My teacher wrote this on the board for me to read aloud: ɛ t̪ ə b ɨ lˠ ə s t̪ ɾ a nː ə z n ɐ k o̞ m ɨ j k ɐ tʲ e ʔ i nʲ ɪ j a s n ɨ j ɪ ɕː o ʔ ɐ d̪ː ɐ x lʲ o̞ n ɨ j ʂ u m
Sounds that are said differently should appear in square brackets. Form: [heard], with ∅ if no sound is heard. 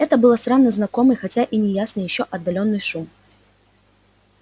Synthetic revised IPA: ɛ t̪ ə b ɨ lˠ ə s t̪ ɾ a nː ə z n ɐ k o̞ m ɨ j [x] ɐ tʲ [a] ʔ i nʲ ɪ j a s n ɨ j ɪ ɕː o ʔ ɐ d̪ː ɐ [∅] lʲ o̞ [nː] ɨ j ʂ u m